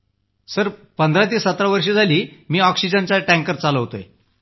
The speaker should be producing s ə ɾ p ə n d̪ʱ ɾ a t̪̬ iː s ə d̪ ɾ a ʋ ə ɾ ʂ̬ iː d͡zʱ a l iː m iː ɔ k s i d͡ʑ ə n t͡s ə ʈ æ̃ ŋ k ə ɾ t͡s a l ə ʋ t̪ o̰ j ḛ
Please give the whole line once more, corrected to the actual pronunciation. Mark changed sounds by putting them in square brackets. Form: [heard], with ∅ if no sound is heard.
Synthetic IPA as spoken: s ə ɾ p ə n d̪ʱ ɾ a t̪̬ iː s ə [t̪] ɾ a ʋ ə ɾ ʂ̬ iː d͡zʱ a l iː m iː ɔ k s i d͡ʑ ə n t͡s [a] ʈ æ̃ ŋ k ə ɾ t͡s a l ə ʋ t̪ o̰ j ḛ